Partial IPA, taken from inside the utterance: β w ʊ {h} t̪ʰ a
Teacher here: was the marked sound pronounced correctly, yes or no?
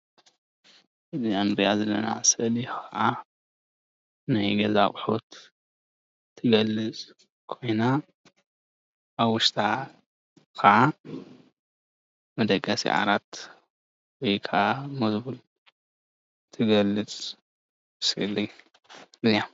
no